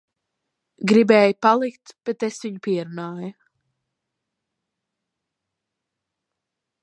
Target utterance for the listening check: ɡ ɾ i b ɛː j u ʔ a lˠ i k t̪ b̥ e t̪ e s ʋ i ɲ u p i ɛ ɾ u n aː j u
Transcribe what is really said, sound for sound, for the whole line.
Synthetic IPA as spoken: ɡ ɾ i b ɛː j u p a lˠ i k t̪ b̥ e t̪ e s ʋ i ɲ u p i ɛ ɾ u n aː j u